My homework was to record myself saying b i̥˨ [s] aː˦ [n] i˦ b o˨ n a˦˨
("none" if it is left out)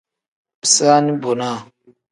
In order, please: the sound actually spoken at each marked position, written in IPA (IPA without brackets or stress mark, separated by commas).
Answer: s, n